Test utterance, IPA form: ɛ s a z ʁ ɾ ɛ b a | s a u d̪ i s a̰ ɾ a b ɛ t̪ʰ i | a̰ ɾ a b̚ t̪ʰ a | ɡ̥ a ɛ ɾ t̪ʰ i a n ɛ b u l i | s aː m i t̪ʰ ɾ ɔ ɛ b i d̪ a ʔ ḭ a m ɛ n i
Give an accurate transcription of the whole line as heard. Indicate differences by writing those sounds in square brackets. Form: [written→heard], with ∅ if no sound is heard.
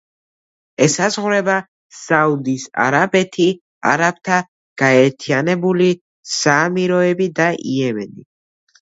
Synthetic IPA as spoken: ɛ s a z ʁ ɾ ɛ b a | s a u d̪ i s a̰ ɾ a b ɛ t̪ʰ i | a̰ ɾ a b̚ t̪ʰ a | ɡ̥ a ɛ ɾ t̪ʰ i a n ɛ b u l i | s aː m i [t̪ʰ→∅] ɾ ɔ ɛ b i d̪ a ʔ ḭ [a→ɛ] m ɛ n i